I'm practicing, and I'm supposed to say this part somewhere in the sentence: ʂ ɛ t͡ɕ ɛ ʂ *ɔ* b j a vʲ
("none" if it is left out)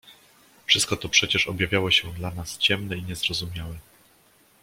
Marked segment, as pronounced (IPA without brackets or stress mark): ɔ